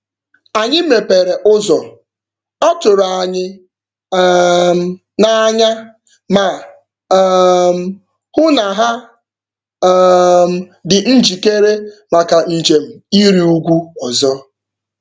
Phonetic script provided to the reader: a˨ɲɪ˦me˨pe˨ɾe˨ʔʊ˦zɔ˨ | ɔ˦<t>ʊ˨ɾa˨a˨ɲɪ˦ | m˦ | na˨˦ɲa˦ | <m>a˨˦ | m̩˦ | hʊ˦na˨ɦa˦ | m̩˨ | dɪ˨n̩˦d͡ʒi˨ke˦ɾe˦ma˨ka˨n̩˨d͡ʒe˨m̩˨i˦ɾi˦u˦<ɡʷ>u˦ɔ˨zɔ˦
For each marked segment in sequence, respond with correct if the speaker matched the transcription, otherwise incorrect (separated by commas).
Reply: correct, correct, correct